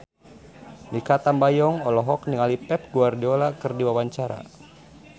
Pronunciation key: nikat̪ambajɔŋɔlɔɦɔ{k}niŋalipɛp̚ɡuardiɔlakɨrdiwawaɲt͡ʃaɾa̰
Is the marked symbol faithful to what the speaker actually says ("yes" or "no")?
yes